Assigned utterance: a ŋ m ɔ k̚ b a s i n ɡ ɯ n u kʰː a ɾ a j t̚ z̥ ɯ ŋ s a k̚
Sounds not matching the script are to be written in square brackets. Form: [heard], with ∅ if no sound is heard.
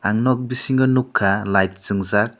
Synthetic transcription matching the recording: a ŋ [n] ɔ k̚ b [i] s i [ŋ] ɡ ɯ n u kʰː a [l] a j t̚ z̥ ɯ ŋ [z] a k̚